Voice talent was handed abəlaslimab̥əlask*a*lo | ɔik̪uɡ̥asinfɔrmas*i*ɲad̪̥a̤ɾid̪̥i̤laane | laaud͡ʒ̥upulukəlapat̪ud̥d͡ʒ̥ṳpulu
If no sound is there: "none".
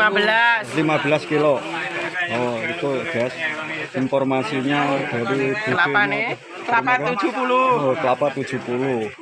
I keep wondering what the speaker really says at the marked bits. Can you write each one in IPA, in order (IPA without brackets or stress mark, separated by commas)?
i, i